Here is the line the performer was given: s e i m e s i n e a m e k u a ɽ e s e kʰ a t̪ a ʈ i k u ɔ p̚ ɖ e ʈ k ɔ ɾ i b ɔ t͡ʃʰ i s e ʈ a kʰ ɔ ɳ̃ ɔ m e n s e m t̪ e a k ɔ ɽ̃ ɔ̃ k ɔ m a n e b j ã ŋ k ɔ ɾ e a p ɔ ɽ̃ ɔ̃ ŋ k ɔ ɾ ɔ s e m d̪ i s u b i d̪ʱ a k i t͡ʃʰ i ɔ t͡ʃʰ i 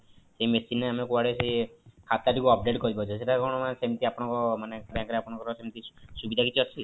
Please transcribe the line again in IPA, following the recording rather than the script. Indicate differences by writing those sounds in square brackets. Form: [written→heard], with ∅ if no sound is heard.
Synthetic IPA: s e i m e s i n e a m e k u a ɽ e s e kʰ a t̪ a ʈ i k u ɔ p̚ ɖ e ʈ k ɔ ɾ i b ɔ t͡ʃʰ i s e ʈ a [kʰ→k] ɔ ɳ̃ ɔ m [e→a] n s e m t̪ [e→i] a [k→p] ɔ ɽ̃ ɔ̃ k ɔ m a n e b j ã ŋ k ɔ ɾ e a p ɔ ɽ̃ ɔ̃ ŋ k ɔ ɾ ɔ s e m [d̪→t̪] i s u b i d̪ʱ a k i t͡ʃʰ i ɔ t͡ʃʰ i